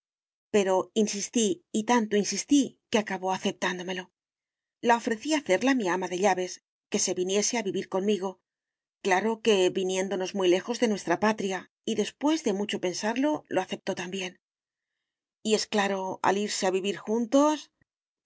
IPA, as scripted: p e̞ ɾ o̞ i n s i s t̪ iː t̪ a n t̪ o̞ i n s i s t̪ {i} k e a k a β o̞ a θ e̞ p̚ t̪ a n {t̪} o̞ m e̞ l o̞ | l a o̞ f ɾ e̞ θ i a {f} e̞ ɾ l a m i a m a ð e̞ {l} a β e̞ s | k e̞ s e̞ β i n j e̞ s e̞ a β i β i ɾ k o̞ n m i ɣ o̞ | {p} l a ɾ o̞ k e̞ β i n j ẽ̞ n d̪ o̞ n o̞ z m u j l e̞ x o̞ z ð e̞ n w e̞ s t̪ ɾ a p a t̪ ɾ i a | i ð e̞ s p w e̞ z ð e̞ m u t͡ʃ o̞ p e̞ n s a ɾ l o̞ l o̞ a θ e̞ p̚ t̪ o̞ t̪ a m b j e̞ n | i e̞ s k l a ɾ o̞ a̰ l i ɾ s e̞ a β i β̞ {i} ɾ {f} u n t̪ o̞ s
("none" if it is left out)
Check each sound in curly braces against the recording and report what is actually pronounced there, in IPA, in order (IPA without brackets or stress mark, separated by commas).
i, d̪, θ, ʎ, k, i, x